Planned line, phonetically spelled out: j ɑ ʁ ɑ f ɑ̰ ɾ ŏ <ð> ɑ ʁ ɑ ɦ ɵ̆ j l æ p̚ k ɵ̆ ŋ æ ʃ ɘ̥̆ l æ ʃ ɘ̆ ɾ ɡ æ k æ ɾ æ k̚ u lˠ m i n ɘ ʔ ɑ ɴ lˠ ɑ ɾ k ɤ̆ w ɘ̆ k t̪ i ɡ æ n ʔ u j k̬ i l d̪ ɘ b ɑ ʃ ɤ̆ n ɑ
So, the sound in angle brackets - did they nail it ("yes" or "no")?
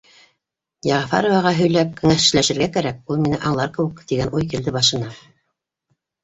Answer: no